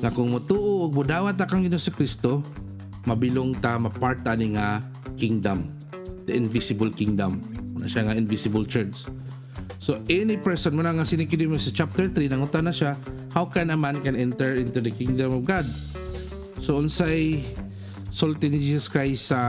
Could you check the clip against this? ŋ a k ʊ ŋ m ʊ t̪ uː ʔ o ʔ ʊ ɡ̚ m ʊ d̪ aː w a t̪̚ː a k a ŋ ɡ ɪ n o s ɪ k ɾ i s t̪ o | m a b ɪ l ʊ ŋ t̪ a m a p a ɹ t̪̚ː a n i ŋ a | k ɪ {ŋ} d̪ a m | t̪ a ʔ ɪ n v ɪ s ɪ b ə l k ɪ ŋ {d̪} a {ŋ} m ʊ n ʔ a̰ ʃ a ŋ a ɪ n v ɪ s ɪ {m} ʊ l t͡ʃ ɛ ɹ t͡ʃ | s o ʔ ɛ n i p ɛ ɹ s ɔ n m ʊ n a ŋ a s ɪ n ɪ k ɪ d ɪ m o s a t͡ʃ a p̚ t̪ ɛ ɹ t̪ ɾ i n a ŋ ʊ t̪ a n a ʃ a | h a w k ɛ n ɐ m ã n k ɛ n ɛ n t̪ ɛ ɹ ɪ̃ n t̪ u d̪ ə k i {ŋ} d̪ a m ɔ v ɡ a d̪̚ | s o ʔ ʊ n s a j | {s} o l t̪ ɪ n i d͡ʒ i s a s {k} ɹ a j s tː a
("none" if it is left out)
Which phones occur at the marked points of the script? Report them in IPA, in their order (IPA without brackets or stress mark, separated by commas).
ŋ, d̪, m, b, ŋ, s, k